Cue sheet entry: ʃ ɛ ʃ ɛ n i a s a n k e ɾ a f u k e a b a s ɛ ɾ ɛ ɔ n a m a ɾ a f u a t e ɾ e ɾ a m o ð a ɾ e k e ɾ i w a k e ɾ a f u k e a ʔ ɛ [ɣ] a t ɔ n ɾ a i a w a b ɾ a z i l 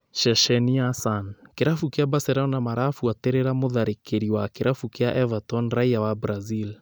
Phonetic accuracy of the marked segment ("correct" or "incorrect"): incorrect